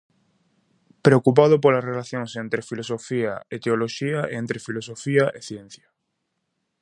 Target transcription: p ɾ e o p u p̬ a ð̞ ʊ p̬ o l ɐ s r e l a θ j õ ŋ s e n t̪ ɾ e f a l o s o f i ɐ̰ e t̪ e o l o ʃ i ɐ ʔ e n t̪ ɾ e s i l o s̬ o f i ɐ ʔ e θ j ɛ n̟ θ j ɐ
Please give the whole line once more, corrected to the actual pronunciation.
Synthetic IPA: p ɾ e o k u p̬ a ð̞ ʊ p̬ o l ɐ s r e l a θ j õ ŋ s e n t̪ ɾ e f i l o s o f i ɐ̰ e t̪ e o l o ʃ i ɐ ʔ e n t̪ ɾ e f i l o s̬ o f i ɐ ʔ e θ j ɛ n̟ θ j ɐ